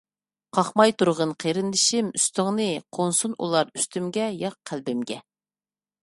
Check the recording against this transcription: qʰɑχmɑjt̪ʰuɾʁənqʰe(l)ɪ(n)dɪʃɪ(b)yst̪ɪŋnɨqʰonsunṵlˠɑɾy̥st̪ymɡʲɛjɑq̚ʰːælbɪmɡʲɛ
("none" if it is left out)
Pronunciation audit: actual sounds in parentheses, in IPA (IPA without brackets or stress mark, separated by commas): ɾ, n, m